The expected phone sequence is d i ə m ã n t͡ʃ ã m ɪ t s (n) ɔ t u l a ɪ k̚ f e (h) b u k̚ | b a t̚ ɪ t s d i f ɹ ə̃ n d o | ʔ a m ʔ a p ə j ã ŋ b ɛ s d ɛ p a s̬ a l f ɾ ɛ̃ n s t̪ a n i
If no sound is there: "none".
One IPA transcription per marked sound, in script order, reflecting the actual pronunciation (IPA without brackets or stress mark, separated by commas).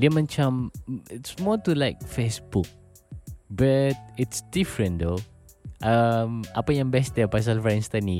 m, s